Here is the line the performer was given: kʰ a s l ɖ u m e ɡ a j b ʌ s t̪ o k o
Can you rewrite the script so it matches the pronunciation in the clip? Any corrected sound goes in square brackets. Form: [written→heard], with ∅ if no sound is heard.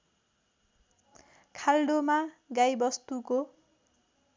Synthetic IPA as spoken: kʰ a [s→∅] l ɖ [u→o] m [e→a] ɡ a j b ʌ s t̪ [o→u] k o